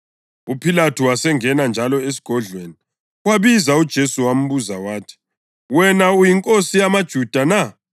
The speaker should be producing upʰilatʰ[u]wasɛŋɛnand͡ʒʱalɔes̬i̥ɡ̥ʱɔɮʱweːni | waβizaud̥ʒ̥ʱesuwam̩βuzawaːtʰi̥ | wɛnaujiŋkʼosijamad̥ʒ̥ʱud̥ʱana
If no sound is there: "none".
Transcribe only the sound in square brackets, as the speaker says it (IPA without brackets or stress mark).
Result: u